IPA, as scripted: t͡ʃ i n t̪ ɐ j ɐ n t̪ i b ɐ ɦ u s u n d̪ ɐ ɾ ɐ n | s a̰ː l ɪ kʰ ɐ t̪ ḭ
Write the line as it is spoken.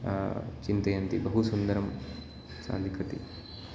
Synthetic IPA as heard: t͡ʃ i n t̪ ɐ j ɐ n t̪ i b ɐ ɦ u s u n d̪ ɐ ɾ ɐ m | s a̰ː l i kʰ ɐ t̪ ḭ